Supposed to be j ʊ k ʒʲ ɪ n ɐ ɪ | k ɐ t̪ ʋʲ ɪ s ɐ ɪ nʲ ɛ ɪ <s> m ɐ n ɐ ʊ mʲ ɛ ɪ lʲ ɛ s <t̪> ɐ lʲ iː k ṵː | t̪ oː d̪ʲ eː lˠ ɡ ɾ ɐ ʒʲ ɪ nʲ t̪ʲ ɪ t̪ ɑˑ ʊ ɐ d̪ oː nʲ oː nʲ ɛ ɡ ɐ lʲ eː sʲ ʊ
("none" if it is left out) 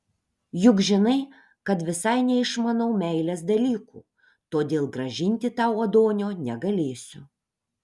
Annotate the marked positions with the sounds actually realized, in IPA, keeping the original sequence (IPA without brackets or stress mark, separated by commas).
ʃ, d̪